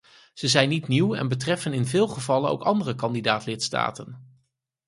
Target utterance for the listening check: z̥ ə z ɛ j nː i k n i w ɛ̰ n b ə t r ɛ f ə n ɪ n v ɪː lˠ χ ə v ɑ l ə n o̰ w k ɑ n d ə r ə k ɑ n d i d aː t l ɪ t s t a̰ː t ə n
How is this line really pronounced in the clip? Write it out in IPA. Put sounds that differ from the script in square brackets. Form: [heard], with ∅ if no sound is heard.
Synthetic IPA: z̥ ə z ɛ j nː i [t] n i w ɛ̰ n b ə t r ɛ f ə n ɪ n v ɪː lˠ χ ə v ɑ l ə n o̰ w k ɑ n d ə r ə k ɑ n d i d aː t l ɪ t s t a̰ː t ə n